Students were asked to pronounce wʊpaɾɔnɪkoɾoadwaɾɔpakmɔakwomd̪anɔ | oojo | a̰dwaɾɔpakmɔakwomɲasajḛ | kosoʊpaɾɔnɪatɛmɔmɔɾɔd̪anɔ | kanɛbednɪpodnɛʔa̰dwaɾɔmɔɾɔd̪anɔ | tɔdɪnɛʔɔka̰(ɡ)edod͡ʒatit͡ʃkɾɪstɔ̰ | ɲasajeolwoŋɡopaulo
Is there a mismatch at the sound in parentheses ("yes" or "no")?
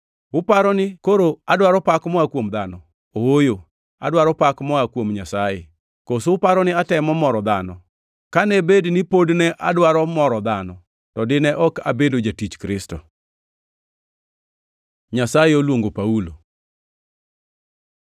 yes